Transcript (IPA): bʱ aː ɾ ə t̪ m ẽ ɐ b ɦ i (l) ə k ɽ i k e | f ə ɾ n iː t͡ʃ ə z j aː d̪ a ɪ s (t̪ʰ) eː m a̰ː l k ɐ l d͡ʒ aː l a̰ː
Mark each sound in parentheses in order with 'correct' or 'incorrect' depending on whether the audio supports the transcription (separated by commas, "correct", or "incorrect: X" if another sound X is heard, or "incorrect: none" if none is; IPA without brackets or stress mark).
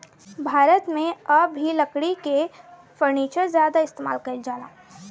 correct, incorrect: t̪